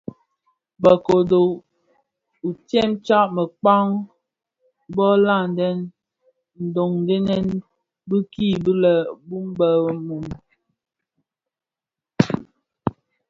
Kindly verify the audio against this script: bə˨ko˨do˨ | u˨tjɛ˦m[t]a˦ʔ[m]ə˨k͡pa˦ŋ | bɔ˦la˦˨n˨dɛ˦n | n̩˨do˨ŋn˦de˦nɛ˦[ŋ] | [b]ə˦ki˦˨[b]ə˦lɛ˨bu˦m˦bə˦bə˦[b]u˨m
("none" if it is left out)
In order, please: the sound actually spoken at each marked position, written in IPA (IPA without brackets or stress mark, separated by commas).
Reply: t͡ʃ, m, n, b, b, m